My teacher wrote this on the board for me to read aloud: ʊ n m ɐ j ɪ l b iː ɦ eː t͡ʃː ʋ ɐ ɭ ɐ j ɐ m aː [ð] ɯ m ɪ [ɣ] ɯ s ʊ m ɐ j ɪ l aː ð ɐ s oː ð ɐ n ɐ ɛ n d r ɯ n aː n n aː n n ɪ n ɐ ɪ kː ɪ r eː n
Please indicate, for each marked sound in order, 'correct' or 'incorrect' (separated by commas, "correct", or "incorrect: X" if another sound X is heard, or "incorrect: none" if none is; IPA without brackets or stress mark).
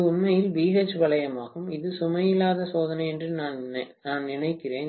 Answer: incorrect: ɣ, incorrect: ð